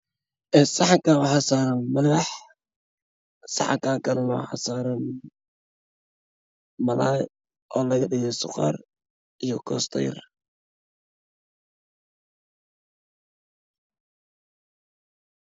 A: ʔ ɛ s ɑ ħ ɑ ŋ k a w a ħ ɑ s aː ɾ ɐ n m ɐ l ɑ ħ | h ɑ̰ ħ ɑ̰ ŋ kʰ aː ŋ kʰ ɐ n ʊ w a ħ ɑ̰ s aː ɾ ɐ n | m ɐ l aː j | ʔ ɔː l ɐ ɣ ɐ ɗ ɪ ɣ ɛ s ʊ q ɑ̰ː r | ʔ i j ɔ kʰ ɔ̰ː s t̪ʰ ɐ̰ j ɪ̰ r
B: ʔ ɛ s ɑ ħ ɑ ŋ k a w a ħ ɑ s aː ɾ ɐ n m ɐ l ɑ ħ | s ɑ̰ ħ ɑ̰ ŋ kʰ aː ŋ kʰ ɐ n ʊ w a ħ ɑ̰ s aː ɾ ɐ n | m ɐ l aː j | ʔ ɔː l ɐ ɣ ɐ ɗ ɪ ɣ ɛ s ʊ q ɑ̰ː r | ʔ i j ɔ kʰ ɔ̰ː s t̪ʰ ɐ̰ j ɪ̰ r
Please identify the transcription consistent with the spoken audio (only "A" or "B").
B